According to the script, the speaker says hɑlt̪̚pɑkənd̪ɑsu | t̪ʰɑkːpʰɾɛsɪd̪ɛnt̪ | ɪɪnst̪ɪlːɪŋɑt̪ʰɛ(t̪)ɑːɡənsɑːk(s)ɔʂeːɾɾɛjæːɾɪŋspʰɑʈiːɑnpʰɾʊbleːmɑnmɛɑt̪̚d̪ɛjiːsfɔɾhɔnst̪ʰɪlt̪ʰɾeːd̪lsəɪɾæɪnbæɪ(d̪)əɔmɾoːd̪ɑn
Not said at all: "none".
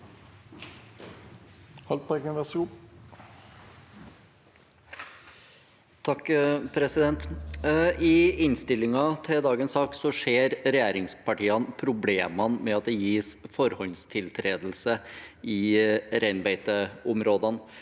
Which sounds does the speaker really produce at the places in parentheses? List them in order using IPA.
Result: d̪, s, t̪

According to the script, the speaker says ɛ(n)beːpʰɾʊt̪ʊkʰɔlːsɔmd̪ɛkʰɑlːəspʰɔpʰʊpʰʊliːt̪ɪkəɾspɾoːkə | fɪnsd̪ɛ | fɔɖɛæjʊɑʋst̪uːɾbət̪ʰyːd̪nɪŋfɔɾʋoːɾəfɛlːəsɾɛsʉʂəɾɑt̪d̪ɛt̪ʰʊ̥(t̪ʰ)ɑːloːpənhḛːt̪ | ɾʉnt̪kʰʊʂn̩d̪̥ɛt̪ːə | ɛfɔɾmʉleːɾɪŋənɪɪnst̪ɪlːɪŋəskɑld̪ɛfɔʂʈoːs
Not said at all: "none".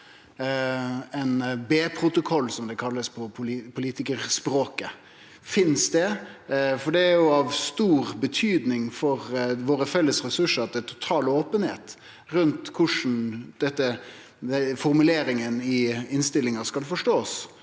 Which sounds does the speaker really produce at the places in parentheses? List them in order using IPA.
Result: n, t̪ʰ

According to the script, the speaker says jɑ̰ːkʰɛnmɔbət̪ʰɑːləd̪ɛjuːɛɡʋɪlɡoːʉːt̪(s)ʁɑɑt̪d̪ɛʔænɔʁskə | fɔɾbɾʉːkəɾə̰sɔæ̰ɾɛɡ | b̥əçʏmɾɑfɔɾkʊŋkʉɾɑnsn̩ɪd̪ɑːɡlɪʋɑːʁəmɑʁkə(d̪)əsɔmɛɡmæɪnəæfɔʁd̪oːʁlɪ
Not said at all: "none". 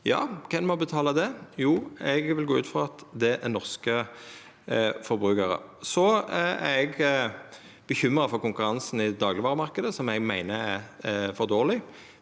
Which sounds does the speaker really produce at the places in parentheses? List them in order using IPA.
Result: f, d̪

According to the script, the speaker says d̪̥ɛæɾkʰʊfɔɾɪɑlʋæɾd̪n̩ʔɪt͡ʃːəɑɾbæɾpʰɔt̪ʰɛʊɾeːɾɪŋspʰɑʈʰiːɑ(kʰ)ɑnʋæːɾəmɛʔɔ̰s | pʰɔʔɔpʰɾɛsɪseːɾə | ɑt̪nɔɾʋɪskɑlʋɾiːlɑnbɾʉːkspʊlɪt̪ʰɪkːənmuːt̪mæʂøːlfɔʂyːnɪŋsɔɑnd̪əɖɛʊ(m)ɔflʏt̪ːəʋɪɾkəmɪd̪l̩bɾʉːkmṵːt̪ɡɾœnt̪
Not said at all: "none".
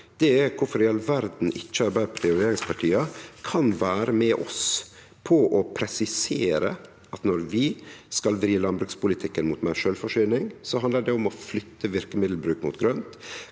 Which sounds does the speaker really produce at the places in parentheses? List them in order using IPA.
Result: kʰ, m

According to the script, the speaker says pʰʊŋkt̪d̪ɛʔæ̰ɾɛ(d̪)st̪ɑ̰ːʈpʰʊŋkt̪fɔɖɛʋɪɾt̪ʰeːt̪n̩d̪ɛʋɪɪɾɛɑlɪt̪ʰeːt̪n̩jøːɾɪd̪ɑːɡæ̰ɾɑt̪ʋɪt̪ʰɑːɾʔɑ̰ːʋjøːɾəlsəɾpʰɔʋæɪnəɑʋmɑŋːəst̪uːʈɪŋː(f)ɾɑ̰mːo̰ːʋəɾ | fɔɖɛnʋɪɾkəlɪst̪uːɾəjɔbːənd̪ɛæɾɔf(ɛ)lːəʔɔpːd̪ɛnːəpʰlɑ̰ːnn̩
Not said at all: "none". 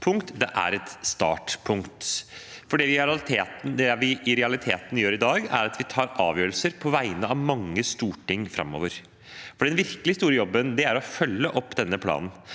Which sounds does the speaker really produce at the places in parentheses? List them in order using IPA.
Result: t̪, f, œ

